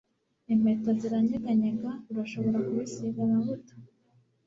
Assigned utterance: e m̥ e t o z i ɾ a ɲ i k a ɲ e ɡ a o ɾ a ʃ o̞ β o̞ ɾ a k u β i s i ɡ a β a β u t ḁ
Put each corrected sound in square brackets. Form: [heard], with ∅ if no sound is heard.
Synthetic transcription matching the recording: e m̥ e t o z i ɾ a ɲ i [ɡ] a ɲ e ɡ a [u] ɾ a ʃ o̞ β o̞ ɾ a k u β i s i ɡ a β a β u t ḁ